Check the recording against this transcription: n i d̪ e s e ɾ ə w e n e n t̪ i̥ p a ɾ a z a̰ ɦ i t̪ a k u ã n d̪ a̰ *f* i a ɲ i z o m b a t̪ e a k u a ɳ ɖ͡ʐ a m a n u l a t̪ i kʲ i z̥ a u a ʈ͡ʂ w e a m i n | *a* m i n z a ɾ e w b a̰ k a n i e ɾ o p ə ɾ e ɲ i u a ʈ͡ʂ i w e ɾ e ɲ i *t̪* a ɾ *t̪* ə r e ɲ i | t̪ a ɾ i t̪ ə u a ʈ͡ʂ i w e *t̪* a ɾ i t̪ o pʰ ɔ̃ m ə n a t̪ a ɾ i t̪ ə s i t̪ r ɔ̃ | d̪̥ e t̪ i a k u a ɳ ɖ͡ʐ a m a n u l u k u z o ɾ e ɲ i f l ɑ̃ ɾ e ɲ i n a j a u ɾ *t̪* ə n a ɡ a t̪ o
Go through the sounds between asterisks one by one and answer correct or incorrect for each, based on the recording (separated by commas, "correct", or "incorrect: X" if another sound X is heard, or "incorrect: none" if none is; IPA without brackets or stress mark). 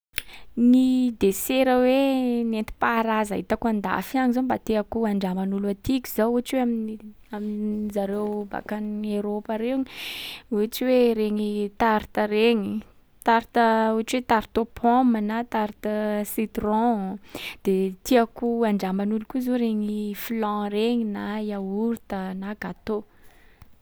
correct, correct, correct, correct, correct, correct